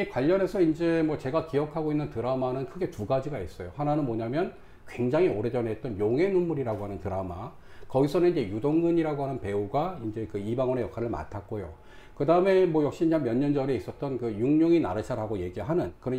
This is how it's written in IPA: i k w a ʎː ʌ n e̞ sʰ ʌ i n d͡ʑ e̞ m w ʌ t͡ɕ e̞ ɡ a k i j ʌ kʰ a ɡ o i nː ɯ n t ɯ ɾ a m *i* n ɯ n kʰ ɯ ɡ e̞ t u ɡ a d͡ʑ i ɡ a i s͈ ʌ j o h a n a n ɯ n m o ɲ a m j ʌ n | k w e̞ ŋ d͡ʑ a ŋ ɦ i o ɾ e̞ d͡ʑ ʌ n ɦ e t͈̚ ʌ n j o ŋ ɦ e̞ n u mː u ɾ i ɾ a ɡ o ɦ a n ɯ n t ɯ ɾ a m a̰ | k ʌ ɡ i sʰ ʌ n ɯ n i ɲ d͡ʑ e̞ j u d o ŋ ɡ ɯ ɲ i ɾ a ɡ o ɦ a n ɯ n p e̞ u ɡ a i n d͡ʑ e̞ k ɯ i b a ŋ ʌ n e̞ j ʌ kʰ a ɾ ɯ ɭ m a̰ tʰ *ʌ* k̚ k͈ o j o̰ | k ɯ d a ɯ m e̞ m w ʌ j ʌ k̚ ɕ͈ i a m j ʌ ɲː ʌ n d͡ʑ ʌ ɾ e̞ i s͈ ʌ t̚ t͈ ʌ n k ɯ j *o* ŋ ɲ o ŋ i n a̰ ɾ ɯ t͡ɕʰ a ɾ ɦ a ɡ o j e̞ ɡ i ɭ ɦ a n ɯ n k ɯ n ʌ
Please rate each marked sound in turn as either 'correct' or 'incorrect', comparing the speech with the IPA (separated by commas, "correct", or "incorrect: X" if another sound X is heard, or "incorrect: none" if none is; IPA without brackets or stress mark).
incorrect: a, incorrect: a, incorrect: u